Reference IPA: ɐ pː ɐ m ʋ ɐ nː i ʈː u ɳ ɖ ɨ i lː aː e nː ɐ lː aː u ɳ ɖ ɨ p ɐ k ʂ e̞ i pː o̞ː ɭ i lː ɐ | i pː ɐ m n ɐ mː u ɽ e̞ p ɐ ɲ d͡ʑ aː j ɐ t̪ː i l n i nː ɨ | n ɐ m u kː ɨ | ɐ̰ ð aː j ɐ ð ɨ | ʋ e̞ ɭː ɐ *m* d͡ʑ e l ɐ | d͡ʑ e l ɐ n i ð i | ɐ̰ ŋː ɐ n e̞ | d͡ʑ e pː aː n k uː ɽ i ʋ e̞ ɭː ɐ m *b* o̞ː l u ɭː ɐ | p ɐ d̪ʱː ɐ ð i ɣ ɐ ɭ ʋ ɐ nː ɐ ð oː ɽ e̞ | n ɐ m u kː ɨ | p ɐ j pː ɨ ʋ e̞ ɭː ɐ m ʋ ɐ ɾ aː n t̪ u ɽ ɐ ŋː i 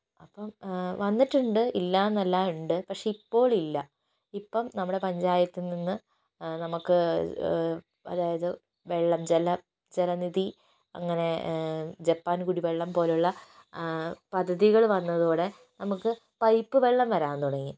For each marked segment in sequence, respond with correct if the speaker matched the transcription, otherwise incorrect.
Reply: correct, incorrect

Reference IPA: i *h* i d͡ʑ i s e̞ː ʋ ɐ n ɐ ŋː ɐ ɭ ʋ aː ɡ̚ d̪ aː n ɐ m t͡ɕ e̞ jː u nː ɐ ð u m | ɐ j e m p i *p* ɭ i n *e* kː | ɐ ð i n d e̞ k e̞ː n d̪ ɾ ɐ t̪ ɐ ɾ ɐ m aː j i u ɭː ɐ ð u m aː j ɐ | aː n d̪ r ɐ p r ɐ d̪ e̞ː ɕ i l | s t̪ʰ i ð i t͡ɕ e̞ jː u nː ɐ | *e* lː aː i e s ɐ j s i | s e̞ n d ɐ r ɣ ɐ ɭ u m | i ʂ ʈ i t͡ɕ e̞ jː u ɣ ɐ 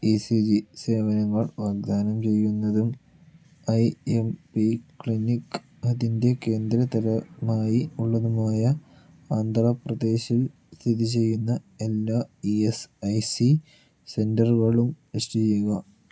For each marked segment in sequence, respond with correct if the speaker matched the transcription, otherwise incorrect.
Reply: incorrect, incorrect, incorrect, correct

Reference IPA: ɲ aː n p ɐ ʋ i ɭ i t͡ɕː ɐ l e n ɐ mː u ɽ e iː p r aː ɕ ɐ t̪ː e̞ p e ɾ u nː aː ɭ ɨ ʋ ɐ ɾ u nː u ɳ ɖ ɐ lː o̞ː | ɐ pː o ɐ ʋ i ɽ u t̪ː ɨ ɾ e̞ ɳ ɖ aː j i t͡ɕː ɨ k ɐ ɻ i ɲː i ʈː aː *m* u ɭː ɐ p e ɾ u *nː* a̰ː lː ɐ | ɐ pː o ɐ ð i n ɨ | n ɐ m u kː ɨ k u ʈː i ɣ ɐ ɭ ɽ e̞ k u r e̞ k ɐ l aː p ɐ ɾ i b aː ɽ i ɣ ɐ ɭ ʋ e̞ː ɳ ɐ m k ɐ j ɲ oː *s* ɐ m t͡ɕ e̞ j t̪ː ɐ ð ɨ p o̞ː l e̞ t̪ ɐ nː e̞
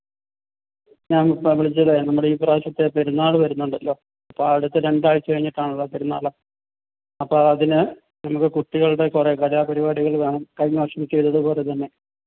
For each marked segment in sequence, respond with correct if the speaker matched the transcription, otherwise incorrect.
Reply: incorrect, correct, incorrect

